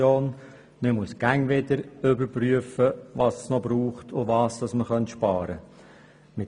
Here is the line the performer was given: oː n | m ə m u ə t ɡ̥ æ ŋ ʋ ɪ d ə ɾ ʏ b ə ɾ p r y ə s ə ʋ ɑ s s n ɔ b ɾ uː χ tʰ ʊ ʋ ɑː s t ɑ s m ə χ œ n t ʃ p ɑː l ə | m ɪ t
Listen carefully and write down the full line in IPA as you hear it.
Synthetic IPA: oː n | m ə m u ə s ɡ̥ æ ŋ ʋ ɪ d ə ɾ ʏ b ə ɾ p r y ə f ə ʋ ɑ s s n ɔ b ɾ uː χ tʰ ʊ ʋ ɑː s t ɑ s m ə χ œ n t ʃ p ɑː ɾ ə | m ɪ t